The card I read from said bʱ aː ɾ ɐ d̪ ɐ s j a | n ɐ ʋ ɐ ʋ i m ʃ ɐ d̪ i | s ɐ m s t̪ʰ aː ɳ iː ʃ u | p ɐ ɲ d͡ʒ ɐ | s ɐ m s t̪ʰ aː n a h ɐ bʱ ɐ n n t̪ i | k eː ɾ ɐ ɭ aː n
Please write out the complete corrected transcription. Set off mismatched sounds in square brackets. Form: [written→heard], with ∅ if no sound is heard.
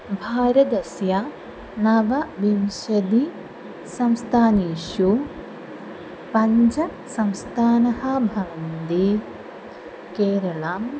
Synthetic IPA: bʱ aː ɾ ɐ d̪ ɐ s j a | n ɐ ʋ ɐ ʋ i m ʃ ɐ d̪ i | s ɐ m s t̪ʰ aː [ɳ→n] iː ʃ u | p ɐ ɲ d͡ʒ ɐ | s ɐ m s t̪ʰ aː n [a→ɐ] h ɐ bʱ ɐ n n [t̪→d̪] i | k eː ɾ ɐ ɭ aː [n→m]